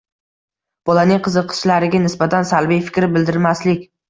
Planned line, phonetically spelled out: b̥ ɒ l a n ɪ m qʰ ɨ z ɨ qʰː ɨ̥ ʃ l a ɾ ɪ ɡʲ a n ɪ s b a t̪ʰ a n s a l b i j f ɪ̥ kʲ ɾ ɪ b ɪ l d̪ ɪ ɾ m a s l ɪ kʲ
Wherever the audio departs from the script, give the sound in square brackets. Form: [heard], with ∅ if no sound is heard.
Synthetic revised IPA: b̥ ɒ l a n ɪ [ŋ] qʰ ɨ z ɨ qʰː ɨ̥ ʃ l a ɾ ɪ ɡʲ a n ɪ s b a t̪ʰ a n s a l b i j f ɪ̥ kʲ ɾ ɪ b ɪ l d̪ ɪ ɾ m a s l ɪ kʲ